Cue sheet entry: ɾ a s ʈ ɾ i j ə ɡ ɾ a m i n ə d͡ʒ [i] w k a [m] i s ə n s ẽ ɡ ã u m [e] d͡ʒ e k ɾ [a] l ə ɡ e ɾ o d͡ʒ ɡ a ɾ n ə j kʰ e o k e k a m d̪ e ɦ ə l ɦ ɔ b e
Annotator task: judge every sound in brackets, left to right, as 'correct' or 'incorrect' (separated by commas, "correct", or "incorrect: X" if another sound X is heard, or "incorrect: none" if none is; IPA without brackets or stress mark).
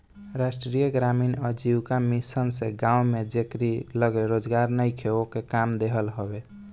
correct, correct, correct, incorrect: i